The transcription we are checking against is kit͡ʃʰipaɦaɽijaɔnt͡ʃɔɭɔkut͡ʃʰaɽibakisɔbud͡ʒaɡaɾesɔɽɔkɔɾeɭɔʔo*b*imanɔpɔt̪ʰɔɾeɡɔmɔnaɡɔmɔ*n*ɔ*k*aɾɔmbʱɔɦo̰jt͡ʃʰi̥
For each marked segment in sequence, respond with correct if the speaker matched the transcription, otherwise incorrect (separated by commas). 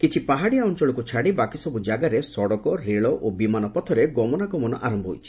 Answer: correct, correct, incorrect